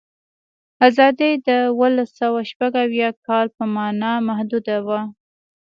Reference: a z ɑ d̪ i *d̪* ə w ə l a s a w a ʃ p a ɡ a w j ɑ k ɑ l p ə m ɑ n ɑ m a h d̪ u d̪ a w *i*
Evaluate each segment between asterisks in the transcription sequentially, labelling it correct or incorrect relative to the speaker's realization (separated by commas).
correct, incorrect